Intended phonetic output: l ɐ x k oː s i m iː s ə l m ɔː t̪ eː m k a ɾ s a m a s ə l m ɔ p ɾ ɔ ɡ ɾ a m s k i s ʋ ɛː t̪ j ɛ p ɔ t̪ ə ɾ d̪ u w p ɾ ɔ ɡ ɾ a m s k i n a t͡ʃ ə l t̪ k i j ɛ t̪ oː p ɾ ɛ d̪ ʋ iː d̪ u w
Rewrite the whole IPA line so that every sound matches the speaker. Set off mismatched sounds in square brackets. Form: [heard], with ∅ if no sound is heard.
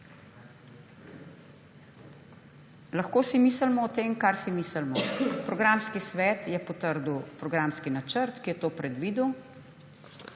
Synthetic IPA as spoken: l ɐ x k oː s i m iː s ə l m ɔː t̪ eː m k a ɾ s [i] m [i] s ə l m ɔ p ɾ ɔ ɡ ɾ a m s k i s ʋ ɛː t̪ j ɛ p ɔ t̪ ə ɾ d̪ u w p ɾ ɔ ɡ ɾ a m s k i n a t͡ʃ ə [ɾ] t̪ k i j ɛ t̪ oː p ɾ ɛ d̪ ʋ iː d̪ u w